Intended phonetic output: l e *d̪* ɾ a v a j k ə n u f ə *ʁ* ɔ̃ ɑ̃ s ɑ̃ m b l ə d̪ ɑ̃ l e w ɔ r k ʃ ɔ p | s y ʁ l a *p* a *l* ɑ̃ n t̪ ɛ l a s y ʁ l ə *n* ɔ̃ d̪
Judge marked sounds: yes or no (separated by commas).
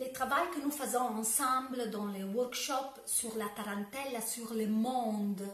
no, no, yes, no, no